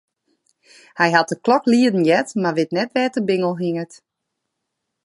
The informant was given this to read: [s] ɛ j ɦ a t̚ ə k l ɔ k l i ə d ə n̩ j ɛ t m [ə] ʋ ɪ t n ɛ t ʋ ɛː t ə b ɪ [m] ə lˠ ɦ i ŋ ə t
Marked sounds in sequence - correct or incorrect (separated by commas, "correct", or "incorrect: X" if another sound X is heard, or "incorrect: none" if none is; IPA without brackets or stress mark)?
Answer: incorrect: h, incorrect: a, incorrect: ŋ